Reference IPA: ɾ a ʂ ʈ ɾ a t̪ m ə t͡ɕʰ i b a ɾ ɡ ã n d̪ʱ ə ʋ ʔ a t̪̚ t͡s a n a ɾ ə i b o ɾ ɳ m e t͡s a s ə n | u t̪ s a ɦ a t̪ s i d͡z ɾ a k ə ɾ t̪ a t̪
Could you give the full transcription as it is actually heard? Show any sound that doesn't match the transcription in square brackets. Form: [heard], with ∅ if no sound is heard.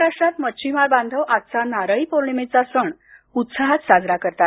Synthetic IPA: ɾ a ʂ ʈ ɾ a t̪ m ə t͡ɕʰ i [m] a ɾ [b] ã n d̪ʱ ə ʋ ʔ a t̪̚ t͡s a n a ɾ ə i [p] o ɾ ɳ m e t͡s a s ə [ɳ] | u t̪ s a ɦ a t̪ s [a] d͡z ɾ a k ə ɾ t̪ a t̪